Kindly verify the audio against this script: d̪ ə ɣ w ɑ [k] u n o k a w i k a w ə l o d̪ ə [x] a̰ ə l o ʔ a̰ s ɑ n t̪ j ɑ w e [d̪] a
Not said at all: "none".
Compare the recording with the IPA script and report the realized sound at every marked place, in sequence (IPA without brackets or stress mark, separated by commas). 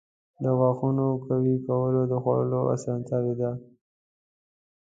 x, x, d̪